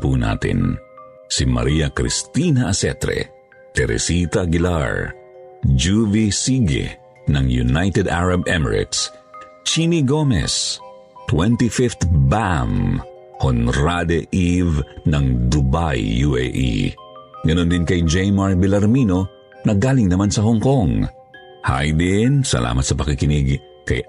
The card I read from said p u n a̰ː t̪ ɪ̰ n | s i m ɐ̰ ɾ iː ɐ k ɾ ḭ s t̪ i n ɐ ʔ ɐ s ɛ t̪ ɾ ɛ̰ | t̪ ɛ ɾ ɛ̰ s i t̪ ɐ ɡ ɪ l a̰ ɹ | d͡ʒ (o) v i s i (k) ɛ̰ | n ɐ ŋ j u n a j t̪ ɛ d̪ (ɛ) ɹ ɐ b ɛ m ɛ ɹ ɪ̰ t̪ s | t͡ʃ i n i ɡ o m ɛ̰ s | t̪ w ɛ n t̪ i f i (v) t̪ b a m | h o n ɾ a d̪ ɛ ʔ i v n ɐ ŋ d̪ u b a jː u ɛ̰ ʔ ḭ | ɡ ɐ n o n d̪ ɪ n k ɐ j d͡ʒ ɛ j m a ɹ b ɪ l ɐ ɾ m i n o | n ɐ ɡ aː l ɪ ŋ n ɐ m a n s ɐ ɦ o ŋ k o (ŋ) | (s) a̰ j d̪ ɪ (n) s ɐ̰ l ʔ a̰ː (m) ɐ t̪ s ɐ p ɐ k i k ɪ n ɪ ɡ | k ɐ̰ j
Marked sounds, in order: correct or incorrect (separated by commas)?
incorrect, incorrect, incorrect, incorrect, correct, incorrect, correct, correct